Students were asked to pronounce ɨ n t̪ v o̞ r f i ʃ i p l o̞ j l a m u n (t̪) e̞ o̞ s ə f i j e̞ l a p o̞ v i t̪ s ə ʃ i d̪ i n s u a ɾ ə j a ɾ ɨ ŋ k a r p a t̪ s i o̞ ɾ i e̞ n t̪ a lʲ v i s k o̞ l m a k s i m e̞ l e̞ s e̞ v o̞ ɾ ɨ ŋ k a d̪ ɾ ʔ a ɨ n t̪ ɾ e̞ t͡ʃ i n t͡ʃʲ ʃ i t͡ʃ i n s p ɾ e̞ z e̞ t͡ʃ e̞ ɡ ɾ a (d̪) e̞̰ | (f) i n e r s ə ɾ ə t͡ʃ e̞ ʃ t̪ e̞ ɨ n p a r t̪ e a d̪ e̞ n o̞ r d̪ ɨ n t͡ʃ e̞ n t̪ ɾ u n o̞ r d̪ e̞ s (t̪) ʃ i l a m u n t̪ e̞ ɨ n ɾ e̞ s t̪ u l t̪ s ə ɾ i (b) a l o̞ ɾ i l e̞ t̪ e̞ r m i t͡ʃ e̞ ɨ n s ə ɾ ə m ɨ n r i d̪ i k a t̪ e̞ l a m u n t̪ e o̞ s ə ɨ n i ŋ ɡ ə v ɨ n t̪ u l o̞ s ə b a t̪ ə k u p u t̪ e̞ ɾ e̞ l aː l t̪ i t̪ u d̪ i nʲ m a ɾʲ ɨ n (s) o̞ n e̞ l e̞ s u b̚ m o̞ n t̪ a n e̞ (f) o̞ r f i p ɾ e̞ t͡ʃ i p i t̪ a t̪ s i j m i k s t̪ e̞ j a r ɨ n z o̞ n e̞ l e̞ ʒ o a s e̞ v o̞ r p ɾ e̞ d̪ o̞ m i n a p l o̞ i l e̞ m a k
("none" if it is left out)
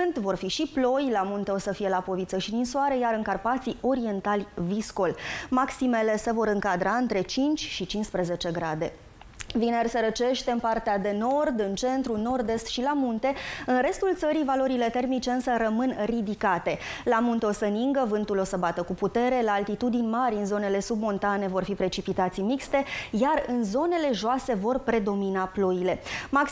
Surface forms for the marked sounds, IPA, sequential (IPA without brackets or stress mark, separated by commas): t̪, d̪, v, t̪, v, z, v